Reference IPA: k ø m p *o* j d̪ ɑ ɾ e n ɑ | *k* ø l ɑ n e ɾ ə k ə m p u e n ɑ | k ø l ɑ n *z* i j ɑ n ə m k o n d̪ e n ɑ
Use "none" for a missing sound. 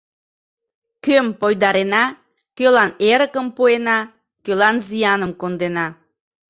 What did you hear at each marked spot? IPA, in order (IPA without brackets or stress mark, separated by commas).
o, k, z